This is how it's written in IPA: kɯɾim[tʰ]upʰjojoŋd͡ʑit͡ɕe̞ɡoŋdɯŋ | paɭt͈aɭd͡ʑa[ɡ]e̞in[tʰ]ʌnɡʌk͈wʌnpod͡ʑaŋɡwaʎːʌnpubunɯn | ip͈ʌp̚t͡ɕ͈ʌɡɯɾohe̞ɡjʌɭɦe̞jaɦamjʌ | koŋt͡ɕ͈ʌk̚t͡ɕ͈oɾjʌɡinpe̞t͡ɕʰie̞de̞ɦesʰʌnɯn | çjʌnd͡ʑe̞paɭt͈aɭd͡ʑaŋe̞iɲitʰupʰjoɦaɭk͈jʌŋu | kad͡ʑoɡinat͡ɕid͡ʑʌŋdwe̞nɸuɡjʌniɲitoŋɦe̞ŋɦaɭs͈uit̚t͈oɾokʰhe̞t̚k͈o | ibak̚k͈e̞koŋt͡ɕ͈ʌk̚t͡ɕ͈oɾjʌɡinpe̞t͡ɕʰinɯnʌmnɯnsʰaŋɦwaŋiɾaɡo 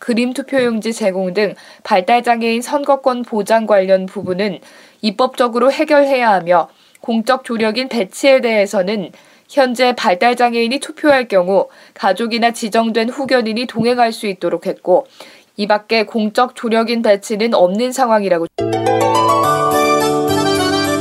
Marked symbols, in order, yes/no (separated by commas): yes, no, no